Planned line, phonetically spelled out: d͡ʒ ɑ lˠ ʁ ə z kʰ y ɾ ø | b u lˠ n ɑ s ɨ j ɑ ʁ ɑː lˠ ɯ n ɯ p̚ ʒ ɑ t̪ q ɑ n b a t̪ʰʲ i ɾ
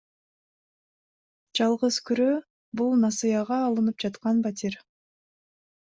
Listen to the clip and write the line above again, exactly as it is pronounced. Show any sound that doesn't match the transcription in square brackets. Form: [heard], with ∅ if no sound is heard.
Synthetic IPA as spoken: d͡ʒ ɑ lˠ ʁ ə z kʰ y ɾ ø | b u lˠ n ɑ s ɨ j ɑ ʁ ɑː lˠ ɯ n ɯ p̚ [d͡ʒ] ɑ t̪ q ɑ n b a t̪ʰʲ i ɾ